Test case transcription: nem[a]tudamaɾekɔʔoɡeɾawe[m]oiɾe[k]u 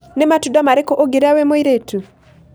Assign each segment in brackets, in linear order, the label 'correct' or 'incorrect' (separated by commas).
correct, correct, incorrect